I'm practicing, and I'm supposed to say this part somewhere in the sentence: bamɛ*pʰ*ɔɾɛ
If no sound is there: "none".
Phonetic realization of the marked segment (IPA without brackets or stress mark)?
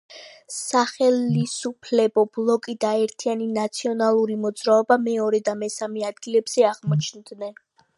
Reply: none